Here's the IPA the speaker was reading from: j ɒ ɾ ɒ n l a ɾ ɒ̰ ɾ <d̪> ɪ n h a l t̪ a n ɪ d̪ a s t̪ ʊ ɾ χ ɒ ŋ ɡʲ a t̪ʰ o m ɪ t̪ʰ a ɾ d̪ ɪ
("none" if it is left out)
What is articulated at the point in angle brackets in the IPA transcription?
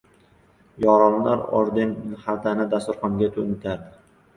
d̪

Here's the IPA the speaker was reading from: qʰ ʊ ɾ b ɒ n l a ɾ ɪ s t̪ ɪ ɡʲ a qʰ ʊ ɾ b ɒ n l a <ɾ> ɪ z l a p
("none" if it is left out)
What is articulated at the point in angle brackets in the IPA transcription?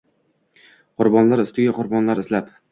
ɾ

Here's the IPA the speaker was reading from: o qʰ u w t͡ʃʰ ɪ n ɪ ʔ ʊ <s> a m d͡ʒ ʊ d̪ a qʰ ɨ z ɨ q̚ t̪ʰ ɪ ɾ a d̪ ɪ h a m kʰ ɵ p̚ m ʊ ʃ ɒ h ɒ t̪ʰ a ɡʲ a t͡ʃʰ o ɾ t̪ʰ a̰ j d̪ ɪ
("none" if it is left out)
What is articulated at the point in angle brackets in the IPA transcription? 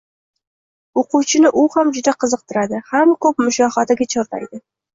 h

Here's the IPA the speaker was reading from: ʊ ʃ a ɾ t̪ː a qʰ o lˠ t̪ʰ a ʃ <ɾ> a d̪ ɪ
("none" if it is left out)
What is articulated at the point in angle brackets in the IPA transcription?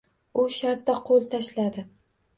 l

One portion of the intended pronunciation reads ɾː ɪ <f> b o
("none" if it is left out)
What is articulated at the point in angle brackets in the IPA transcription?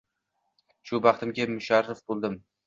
f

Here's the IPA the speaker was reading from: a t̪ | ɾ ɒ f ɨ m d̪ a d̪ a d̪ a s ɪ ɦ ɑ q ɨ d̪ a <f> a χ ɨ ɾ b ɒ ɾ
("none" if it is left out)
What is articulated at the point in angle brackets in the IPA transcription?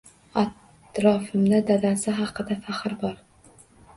f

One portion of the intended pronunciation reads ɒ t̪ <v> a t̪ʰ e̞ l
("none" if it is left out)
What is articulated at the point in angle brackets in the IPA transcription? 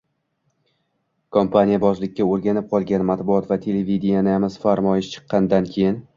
v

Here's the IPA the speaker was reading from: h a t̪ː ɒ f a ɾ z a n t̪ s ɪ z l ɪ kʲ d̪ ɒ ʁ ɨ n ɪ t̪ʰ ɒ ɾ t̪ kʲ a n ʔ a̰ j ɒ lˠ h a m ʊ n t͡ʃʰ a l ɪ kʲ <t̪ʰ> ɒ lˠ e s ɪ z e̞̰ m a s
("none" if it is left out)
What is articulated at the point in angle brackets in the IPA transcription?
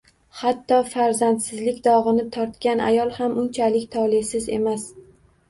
t̪ʰ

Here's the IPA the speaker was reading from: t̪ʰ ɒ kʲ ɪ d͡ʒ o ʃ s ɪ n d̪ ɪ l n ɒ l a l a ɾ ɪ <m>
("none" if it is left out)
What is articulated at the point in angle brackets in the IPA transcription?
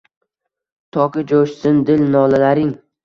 ŋ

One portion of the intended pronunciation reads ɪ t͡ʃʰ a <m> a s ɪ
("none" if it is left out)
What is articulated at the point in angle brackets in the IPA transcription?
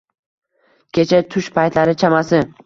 m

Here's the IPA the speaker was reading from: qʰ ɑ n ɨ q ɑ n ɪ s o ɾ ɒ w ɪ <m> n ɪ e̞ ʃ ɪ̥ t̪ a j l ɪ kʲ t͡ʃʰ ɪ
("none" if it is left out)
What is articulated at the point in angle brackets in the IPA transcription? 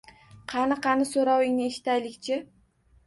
ŋ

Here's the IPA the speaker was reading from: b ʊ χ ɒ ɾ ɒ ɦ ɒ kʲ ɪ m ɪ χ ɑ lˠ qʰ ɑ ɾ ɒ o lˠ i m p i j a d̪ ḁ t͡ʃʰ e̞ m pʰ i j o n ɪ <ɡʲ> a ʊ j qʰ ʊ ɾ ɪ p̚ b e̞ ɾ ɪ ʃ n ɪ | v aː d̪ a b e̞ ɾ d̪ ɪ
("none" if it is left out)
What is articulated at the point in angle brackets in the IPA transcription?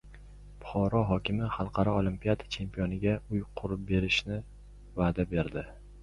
ɡʲ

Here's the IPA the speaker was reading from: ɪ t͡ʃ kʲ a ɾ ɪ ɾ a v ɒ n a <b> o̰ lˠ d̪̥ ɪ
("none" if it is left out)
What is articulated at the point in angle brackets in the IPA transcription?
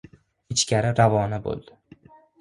b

